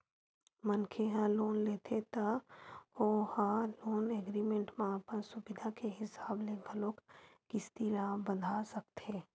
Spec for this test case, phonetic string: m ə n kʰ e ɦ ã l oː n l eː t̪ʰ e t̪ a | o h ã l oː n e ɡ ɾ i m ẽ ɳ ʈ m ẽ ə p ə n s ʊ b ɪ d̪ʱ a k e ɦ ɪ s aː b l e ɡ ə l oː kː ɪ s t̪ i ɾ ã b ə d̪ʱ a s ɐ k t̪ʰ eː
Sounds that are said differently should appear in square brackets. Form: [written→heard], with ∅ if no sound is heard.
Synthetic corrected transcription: m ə n kʰ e ɦ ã l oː n l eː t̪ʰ e t̪ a | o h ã l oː n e ɡ ɾ i m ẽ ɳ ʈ m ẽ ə p ə n s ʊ b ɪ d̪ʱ a k e ɦ ɪ s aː b l e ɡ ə l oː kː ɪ s t̪ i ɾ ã b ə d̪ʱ a s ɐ k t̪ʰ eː

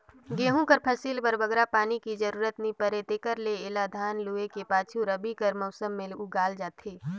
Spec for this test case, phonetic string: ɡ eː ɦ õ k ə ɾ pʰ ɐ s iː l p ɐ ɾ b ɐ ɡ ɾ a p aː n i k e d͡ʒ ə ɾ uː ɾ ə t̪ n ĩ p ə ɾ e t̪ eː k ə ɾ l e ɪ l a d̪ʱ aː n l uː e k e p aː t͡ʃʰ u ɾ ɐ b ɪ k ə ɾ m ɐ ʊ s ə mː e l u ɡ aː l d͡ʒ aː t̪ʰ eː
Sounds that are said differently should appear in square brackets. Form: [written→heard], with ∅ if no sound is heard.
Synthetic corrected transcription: ɡ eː ɦ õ k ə ɾ pʰ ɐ s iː l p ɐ ɾ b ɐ ɡ ɾ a p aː n i k [e→i] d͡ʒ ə ɾ uː ɾ ə t̪ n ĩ p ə ɾ e t̪ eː k ə ɾ l e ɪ l a d̪ʱ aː n l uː e k e p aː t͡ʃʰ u ɾ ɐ b [ɪ→i] k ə ɾ m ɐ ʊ s ə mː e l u ɡ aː l d͡ʒ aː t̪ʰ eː

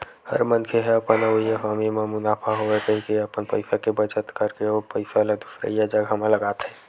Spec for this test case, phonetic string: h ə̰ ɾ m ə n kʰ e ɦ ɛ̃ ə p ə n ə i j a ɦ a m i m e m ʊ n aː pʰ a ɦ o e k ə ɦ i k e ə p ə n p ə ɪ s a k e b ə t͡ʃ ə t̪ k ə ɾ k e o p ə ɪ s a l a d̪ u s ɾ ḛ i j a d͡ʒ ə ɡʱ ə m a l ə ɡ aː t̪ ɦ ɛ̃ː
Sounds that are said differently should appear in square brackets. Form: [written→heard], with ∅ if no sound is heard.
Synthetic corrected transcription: h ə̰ ɾ m ə n kʰ e ɦ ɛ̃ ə p ə n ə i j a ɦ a m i m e m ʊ n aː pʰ a ɦ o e k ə ɦ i k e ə p ə n p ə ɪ s a k e b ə t͡ʃ ə t̪ k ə ɾ k e o p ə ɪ s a l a d̪ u s ɾ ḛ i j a d͡ʒ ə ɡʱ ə m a l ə ɡ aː t̪ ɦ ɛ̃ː

